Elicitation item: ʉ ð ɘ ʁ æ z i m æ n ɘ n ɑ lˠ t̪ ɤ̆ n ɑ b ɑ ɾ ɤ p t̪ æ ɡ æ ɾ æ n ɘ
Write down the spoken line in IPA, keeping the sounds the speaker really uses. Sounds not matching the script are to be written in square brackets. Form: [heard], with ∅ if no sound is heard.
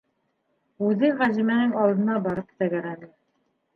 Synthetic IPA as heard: ʉ ð ɘ ʁ æ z i m æ n ɘ [ŋ] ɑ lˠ [d̪] ɤ̆ n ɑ b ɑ ɾ ɤ p t̪ æ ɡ æ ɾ æ n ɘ